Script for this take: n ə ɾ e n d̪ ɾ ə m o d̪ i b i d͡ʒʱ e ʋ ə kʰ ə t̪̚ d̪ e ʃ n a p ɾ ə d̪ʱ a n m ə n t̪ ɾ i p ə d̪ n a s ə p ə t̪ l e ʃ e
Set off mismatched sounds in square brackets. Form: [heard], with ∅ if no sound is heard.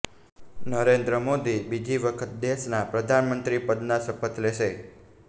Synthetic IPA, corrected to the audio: n ə ɾ e n d̪ ɾ ə m o d̪ i b i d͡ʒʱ [i] ʋ ə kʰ ə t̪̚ d̪ e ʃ n a p ɾ ə d̪ʱ a n m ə n t̪ ɾ i p ə d̪ n a s ə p ə t̪ l e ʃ e